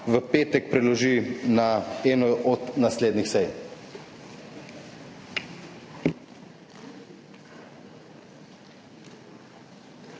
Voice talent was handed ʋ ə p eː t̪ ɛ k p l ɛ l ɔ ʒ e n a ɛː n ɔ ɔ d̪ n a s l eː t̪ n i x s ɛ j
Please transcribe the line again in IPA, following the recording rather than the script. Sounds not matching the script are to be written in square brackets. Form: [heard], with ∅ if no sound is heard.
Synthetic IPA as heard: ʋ ə p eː t̪ ɛ k p [ɾ] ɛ l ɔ ʒ [i] n a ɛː n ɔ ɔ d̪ n a s l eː [d̪] n i x s ɛ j